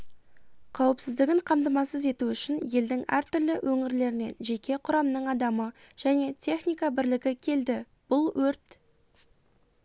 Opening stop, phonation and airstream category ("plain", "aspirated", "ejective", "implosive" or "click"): aspirated